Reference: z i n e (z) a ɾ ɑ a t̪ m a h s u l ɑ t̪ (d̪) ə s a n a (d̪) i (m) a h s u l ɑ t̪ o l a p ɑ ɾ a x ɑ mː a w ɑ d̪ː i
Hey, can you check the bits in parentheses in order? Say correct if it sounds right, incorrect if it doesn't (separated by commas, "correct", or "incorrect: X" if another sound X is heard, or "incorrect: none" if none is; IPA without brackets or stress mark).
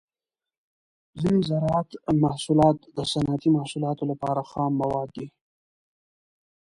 correct, correct, incorrect: t̪, correct